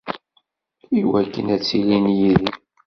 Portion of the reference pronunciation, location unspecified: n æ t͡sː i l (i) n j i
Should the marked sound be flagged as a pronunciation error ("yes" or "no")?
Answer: no